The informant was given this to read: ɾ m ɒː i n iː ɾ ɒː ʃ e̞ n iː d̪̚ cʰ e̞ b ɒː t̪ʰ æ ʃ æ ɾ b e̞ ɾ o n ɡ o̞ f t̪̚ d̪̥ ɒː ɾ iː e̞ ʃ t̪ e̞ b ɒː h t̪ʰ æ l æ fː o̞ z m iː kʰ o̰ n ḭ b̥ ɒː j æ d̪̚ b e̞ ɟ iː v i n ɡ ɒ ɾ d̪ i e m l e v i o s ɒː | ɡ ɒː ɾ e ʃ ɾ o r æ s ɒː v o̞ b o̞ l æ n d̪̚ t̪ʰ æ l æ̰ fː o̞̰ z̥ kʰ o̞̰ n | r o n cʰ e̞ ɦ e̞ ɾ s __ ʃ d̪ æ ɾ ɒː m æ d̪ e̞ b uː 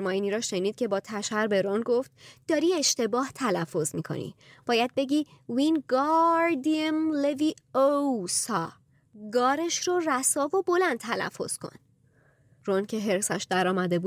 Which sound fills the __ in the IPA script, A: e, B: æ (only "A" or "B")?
B